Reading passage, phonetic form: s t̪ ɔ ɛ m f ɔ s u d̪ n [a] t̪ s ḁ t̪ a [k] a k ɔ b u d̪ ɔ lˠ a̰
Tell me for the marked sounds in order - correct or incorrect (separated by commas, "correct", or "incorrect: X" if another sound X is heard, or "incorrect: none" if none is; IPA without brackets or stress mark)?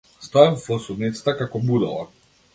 incorrect: i, correct